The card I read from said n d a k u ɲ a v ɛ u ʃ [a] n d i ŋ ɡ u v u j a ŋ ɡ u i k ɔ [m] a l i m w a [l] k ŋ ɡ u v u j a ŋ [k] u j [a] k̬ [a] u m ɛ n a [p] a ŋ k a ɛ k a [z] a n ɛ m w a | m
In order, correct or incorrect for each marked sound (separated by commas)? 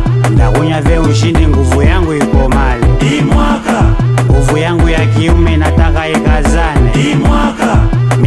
incorrect, correct, incorrect, incorrect, correct, incorrect, incorrect, correct